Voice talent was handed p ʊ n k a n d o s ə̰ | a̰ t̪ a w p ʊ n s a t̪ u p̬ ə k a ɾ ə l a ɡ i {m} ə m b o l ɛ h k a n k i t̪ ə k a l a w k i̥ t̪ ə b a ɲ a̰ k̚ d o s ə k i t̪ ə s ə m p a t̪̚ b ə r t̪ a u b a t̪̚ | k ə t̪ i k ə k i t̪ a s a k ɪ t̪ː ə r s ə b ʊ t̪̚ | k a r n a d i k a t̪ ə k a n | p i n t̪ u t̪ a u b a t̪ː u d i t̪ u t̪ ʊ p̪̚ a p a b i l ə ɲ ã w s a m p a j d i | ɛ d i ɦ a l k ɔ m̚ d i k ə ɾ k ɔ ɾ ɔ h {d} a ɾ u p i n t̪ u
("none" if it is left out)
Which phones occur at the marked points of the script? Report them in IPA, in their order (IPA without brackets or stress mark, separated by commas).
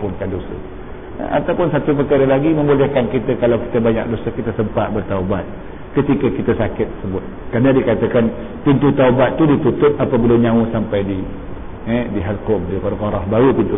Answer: m, b